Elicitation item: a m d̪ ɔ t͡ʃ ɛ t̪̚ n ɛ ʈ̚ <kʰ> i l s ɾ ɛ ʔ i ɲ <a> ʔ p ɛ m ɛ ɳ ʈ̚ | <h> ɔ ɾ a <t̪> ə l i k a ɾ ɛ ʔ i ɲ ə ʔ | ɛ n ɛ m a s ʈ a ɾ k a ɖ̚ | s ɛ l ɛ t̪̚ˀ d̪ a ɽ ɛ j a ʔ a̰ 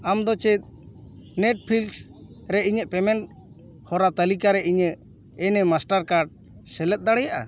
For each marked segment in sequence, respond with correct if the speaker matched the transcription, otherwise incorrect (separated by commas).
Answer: incorrect, incorrect, correct, correct